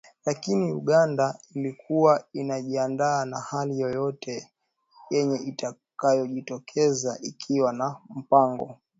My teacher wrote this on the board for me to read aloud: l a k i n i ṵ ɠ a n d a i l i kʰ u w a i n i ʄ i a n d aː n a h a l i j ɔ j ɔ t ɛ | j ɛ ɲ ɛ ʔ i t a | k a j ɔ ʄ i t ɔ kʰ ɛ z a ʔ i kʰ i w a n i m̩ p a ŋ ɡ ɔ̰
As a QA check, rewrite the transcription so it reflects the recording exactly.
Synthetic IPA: l a k i n i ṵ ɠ a n d a i l i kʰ u w a i n a ʄ i a n d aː n a h a l i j ɔ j ɔ t ɛ | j ɛ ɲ ɛ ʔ i t a | k a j ɔ ʄ i t ɔ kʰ ɛ z a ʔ i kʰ i w a n a m̩ p a ŋ ɡ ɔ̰